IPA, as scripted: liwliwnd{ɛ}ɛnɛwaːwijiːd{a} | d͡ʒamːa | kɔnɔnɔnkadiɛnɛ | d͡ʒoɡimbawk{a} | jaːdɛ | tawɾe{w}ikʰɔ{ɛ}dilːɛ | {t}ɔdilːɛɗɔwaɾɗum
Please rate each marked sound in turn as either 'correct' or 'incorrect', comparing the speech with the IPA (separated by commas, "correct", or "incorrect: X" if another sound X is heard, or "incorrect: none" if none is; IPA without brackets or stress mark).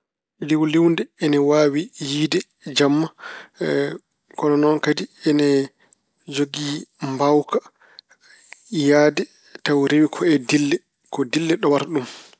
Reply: correct, incorrect: ɛ, correct, correct, correct, incorrect: k